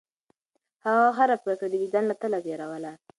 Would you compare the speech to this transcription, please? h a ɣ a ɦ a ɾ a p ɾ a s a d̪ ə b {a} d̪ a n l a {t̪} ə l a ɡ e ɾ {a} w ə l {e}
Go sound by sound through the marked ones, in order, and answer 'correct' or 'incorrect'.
incorrect, correct, correct, incorrect

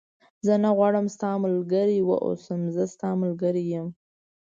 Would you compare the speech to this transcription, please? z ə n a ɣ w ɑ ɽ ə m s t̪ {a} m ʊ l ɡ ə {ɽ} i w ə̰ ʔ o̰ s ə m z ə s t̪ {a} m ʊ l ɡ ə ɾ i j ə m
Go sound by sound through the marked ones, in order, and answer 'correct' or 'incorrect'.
incorrect, incorrect, incorrect

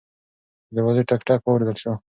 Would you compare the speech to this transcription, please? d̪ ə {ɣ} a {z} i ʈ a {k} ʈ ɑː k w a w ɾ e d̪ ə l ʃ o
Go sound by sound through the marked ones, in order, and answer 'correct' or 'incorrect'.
incorrect, correct, correct

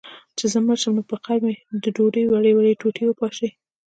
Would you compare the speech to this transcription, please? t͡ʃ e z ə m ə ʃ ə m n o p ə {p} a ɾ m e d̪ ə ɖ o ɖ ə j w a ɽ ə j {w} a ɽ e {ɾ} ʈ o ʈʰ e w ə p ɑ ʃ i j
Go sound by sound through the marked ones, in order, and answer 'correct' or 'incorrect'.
incorrect, correct, incorrect

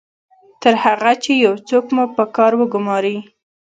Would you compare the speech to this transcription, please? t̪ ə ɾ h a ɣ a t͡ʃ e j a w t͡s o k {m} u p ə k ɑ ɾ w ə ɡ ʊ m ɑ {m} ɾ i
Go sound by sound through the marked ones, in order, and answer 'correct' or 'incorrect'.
correct, incorrect

